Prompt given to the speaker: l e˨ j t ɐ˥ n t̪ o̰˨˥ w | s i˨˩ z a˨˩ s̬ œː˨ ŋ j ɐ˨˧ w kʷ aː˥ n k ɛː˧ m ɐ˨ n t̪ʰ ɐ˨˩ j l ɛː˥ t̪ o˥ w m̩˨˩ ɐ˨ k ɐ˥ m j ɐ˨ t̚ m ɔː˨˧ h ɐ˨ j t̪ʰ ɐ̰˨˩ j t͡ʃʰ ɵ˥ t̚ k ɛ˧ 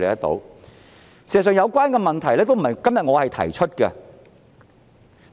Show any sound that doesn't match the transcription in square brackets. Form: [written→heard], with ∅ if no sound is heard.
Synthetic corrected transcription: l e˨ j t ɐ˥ [n→∅] t̪ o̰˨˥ w | s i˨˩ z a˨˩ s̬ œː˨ ŋ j ɐ˨˧ w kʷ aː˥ n k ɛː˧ m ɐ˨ n t̪ʰ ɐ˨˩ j l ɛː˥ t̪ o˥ w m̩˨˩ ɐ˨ k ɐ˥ m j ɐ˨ t̚ [m→ŋ] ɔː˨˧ h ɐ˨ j t̪ʰ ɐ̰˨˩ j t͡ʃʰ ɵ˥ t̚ k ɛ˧